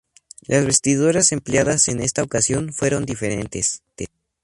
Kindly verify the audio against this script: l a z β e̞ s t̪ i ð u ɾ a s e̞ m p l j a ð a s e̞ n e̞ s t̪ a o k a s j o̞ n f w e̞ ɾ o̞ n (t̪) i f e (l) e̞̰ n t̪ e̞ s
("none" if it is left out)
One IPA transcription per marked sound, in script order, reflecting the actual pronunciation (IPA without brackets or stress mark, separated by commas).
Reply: d̪, ɾ